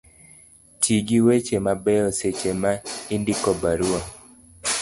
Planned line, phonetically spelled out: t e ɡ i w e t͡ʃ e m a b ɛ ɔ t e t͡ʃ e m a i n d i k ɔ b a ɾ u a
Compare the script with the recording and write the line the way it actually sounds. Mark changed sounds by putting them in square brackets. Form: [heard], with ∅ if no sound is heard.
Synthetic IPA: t [i] ɡ i w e t͡ʃ e m a b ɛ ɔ [s] e t͡ʃ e m a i n d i k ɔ b a ɾ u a